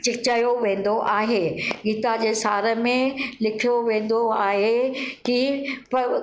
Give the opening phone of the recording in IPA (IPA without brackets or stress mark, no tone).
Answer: t͡ɕ